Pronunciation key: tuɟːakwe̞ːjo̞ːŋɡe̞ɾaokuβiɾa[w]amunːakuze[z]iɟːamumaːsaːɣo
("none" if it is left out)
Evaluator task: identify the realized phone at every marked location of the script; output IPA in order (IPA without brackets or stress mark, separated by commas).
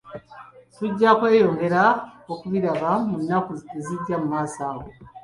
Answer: β, z